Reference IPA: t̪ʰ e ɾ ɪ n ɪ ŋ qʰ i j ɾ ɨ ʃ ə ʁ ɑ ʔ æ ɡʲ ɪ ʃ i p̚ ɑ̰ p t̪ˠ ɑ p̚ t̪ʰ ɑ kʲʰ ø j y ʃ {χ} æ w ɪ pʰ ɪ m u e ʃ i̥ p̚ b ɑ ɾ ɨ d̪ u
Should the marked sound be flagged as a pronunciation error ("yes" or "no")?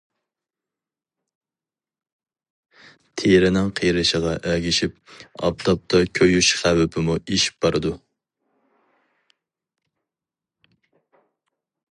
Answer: no